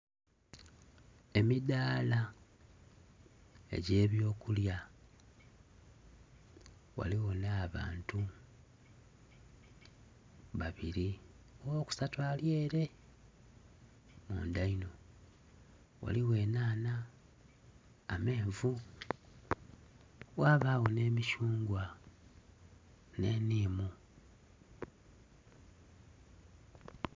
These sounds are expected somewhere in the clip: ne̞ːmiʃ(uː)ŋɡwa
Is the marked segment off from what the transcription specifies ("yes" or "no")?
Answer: no